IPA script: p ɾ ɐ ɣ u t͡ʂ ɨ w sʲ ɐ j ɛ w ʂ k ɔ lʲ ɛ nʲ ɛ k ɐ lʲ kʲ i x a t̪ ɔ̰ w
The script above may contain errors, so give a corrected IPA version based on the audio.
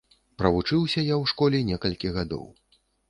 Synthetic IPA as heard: p ɾ ɐ v u t͡ʂ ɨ w sʲ ɐ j a w ʂ k ɔ lʲ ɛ nʲ ɛ k ɐ lʲ kʲ i ɣ a d̪ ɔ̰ w